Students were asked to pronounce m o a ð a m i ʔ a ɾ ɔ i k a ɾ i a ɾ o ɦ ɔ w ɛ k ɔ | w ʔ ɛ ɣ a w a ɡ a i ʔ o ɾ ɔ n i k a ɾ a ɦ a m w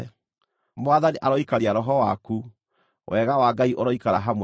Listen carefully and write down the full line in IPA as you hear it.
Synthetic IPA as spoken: m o a ð a n i ʔ a ɾ ɔ i k a ɾ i a ɾ ɔ ɦ ɔ w a k u | w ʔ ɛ ɣ a w a ɡ a i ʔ o ɾ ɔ i k a ɾ a ɦ a m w

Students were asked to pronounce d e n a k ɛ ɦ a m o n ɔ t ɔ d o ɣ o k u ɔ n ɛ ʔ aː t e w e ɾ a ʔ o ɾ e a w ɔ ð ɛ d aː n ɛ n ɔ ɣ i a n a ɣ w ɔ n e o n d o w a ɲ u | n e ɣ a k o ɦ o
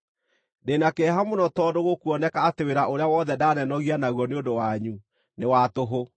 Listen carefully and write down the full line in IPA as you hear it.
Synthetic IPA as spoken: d e n a k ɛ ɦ a m o n ɔ t ɔ d o ɣ o k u ɔ n ɛ k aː t e w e ɾ a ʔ o ɾ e a w ɔ ð ɛ d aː n ɛ n ɔ ɣ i a n a ɣ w ɔ n e o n d o w a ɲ u | n e w a t o ɦ o

